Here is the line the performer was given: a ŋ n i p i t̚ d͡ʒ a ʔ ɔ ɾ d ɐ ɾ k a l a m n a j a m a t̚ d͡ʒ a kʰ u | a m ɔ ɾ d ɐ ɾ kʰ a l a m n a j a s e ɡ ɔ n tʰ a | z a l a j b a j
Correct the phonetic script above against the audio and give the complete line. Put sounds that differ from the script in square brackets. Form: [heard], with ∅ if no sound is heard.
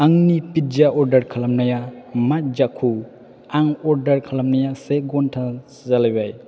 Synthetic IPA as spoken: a ŋ n i p i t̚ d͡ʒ a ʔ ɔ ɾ d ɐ ɾ [kʰ] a l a m n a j a m a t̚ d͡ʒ a kʰ u | a [ŋ] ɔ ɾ d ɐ ɾ kʰ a l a m n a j a s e ɡ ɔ n tʰ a | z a l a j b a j